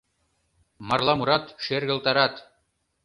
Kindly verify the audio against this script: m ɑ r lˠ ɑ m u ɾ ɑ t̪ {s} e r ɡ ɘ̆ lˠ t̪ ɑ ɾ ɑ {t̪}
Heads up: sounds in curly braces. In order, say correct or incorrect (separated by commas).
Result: incorrect, correct